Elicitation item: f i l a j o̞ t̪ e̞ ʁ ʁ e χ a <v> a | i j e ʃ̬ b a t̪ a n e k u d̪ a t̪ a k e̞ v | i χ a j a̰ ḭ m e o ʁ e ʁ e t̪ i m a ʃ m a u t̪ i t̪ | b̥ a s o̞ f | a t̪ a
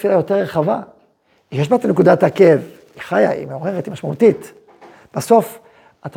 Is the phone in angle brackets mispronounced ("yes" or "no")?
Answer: no